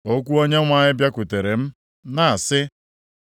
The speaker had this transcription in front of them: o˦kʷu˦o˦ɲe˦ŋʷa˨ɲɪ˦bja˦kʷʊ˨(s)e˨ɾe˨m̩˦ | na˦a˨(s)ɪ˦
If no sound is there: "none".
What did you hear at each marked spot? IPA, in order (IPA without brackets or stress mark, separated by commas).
t, s